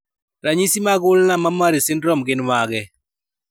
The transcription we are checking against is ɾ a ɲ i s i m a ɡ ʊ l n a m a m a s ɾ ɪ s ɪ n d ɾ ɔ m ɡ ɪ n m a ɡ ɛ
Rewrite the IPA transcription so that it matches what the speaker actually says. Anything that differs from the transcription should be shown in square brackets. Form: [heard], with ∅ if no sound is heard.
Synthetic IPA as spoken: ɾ a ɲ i s i m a ɡ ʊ l n a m a m a [∅] ɾ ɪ s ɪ n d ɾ ɔ m ɡ ɪ n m a ɡ ɛ

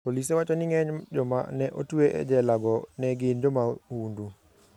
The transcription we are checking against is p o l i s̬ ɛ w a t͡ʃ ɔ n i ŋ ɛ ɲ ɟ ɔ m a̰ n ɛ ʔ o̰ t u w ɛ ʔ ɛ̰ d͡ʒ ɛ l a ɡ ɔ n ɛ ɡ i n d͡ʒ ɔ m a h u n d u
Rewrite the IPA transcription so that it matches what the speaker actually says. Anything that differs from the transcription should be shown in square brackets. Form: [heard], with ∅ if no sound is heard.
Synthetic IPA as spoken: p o l i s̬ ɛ w a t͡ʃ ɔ n i ŋ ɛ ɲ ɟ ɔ m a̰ n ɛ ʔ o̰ t u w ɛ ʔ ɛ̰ d͡ʒ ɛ l a ɡ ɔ n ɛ ɡ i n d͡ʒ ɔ m a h u n d u

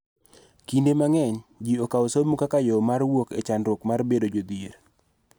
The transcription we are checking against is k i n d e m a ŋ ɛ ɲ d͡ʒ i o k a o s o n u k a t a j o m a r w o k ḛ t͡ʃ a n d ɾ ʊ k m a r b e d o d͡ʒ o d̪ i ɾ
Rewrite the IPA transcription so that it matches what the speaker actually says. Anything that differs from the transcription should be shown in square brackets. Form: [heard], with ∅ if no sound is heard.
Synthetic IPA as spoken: k i n d e m a ŋ ɛ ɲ d͡ʒ i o k a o s o [m] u k a [k] a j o m a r w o k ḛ t͡ʃ a n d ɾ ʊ k m a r b e d o d͡ʒ o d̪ i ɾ

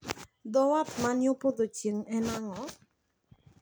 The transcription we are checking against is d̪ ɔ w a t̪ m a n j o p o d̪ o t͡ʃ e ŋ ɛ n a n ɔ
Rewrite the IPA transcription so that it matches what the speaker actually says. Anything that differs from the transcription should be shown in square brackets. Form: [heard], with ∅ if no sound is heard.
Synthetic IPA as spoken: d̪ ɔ w a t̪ m a n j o p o d̪ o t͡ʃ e ŋ ɛ n a [ŋ] ɔ

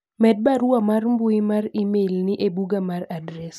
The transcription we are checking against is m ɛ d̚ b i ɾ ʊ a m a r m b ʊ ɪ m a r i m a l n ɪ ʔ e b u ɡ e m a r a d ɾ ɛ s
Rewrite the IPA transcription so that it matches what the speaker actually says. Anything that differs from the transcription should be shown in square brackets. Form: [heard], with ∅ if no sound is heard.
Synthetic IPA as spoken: m ɛ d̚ b [a] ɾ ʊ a m a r m b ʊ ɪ m a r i m [e] l n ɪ ʔ e b u ɡ [a] m a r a d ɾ ɛ s

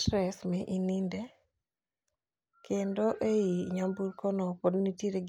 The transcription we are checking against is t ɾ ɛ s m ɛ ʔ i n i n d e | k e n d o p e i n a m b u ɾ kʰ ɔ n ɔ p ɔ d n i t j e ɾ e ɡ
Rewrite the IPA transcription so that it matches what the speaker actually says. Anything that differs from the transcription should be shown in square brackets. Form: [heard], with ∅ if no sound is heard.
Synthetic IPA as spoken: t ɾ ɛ s m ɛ ʔ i n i n d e | k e n d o [ʔ] e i [ɲ] a m b u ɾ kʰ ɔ n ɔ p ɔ d n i t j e ɾ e ɡ

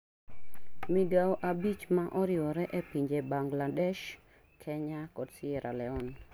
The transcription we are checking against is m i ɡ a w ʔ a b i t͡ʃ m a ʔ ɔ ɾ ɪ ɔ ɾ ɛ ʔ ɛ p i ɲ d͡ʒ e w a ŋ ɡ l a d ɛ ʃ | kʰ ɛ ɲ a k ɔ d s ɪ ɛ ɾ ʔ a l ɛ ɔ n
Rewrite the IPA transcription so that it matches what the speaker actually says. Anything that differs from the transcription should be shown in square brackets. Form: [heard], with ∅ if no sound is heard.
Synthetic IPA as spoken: m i ɡ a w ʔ a b i t͡ʃ m a ʔ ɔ ɾ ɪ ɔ ɾ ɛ ʔ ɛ p i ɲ d͡ʒ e [b] a ŋ ɡ l a d ɛ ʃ | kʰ ɛ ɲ a k ɔ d s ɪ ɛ ɾ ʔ a l ɛ ɔ n

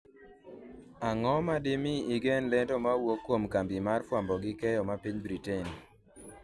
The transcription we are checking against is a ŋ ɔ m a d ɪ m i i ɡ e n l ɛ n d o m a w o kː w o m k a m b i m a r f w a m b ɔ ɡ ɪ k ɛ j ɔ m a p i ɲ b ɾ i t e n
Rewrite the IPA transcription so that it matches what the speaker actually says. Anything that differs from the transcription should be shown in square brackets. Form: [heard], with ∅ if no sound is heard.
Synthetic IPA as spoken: a ŋ ɔ m a d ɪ m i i ɡ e n l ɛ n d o m a w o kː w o m k a m b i m a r f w a m b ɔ ɡ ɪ k ɛ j ɔ m a p i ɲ b ɾ i t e n

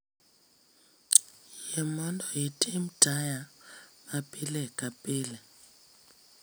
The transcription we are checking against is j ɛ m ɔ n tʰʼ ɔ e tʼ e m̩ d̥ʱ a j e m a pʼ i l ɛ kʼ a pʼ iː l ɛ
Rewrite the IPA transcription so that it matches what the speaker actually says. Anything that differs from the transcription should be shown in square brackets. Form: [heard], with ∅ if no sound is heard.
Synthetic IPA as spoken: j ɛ m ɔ n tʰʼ ɔ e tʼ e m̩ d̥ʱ a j [a] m a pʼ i l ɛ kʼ a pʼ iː l ɛ

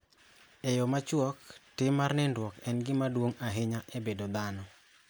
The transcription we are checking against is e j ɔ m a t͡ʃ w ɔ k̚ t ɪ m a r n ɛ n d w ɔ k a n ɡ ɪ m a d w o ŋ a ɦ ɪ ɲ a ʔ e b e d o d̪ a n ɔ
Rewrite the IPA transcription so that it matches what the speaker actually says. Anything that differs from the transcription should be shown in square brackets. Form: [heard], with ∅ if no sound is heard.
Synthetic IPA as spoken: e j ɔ m a t͡ʃ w ɔ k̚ t ɪ m a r n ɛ n d w ɔ k [ɛ] n ɡ ɪ m a d w o ŋ a ɦ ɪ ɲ a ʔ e b e d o d̪ a n ɔ

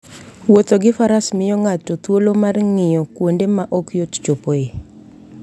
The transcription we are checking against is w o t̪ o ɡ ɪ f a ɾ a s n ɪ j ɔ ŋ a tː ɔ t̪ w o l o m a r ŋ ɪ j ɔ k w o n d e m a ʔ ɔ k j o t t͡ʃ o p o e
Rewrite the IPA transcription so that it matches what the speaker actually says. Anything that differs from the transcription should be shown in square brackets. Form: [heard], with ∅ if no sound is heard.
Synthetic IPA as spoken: w o t̪ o ɡ ɪ f a ɾ a s [m] ɪ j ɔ ŋ a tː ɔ t̪ w o l o m a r ŋ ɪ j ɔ k w o n d e m a ʔ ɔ k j o t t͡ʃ o p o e

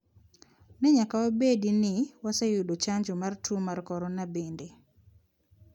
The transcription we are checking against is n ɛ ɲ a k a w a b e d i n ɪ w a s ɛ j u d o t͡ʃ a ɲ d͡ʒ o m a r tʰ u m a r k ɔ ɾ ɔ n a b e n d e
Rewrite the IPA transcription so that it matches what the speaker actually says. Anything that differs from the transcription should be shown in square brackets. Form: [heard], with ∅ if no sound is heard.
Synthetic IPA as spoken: n ɛ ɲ a k a w a b e d i n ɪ w a s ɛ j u d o t͡ʃ a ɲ d͡ʒ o m a r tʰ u m a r k ɔ ɾ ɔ n a b e n d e

